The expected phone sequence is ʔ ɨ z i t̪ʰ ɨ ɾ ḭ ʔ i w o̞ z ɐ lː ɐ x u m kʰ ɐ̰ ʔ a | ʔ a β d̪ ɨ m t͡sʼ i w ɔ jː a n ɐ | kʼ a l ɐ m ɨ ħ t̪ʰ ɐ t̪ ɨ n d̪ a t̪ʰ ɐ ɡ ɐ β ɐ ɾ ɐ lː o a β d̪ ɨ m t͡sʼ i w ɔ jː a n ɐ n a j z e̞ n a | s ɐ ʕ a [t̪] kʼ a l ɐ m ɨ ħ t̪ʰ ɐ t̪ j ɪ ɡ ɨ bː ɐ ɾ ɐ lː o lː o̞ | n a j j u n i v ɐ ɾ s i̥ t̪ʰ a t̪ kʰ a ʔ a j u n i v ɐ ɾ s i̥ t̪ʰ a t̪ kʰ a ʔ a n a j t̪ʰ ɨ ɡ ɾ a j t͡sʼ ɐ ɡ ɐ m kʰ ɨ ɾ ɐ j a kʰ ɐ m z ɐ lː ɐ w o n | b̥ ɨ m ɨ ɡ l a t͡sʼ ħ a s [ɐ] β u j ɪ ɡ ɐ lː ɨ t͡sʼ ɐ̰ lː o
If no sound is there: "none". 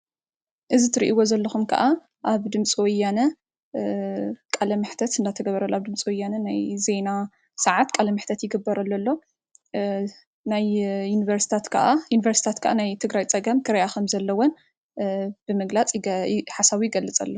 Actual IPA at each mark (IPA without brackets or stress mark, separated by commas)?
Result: t̪, a